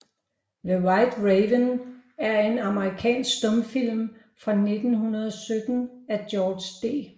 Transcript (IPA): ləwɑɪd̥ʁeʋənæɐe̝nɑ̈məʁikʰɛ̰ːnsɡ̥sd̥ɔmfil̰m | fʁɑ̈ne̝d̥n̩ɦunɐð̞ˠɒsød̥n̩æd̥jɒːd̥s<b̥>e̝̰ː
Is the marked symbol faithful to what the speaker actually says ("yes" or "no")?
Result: no